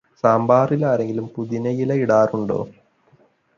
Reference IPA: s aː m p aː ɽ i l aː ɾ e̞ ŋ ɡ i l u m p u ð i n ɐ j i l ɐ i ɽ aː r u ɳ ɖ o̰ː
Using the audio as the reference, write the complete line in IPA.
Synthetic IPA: s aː m b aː r i l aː ɾ e̞ ŋ ɡ i l u m p u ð i n ɐ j i l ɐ i ɽ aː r u ɳ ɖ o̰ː